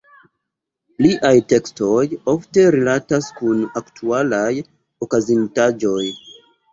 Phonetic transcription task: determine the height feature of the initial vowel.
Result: high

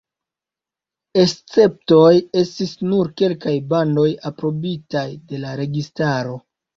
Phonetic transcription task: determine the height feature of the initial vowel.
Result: mid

